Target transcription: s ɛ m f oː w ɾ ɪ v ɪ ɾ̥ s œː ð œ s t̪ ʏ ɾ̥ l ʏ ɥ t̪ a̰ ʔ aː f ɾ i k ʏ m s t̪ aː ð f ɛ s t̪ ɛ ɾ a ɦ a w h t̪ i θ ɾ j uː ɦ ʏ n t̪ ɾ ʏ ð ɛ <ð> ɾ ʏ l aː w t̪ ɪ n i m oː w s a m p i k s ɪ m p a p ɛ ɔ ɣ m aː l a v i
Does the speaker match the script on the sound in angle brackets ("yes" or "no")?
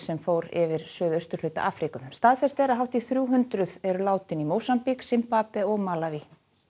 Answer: no